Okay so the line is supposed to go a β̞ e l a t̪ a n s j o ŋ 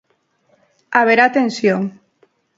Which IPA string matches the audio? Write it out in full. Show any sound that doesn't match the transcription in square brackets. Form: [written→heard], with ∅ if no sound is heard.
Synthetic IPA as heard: a β̞ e [l→ɾ] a t̪ [a→e] n s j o ŋ